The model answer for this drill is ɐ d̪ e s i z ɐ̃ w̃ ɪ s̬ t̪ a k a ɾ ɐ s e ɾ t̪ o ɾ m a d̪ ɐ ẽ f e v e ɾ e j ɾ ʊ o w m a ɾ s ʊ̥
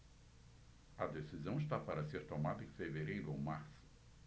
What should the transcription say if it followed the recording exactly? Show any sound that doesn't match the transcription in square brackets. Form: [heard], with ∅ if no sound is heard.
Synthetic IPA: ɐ d̪ e s i z ɐ̃ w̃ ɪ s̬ t̪ a [p] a ɾ ɐ s e ɾ t̪ o [∅] m a d̪ ɐ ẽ f e v e ɾ e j ɾ ʊ o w m a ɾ s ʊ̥